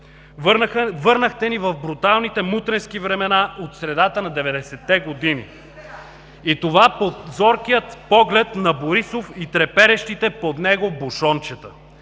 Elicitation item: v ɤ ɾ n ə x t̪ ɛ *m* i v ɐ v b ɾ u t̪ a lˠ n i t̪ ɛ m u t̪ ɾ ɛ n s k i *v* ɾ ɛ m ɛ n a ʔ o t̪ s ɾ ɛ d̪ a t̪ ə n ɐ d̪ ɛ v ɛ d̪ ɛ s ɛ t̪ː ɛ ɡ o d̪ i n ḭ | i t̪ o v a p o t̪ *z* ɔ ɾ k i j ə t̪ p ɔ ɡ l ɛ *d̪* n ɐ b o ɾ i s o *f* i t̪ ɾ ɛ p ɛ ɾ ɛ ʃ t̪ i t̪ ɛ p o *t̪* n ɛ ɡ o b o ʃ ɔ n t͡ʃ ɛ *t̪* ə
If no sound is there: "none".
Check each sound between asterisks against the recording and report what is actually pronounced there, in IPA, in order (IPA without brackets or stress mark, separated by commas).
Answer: n, v, z, t̪, f, d̪, t̪